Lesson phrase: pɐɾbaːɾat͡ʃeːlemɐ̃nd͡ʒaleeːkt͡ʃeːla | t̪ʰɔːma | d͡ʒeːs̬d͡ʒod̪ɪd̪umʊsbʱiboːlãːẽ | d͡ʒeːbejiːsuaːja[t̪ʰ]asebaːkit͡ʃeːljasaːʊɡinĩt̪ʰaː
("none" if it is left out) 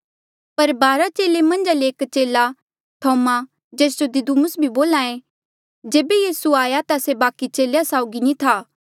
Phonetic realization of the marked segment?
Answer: t̪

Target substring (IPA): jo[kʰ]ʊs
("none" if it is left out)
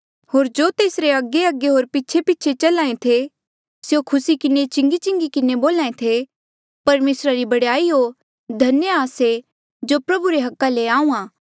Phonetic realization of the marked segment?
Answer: kʰ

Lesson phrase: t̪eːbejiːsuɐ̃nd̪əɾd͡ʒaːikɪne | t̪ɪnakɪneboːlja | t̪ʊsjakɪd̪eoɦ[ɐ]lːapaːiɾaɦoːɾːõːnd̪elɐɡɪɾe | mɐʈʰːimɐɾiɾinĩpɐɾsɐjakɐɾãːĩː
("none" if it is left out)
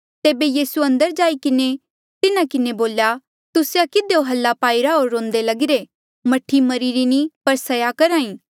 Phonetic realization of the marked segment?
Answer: ɐ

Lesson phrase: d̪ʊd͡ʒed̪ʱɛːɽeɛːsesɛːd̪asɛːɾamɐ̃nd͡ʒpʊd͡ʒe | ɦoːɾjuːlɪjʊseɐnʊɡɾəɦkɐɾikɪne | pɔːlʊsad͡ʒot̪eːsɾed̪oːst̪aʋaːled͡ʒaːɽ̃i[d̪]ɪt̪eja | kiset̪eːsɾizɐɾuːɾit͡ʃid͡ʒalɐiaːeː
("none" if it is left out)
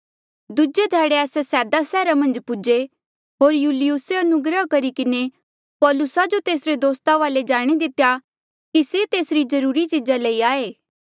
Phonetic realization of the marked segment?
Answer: d̪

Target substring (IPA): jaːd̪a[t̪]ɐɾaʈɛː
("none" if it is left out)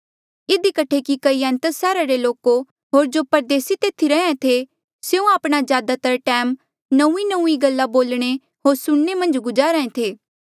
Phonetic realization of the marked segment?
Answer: t̪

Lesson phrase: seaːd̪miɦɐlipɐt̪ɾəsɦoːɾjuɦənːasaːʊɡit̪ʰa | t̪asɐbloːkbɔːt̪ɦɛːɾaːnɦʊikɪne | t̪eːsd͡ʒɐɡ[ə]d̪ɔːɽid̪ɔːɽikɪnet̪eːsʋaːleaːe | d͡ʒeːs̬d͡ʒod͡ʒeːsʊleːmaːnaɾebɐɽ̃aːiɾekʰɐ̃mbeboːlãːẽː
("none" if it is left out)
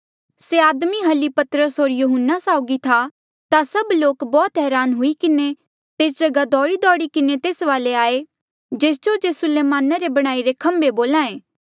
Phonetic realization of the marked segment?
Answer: a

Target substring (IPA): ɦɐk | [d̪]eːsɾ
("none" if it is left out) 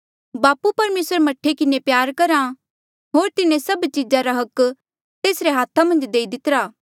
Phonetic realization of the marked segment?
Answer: t̪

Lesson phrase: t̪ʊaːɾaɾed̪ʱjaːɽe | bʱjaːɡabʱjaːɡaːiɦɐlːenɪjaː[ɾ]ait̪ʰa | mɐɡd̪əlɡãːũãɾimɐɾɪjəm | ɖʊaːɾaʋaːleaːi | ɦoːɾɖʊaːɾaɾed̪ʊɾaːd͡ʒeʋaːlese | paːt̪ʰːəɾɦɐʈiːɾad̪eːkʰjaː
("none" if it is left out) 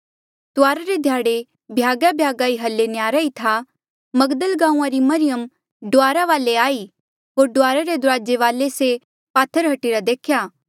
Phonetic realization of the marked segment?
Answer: ɾ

